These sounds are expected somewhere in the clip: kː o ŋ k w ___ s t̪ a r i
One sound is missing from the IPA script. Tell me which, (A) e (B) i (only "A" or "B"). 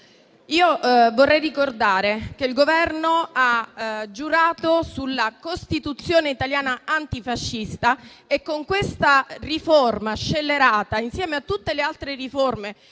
A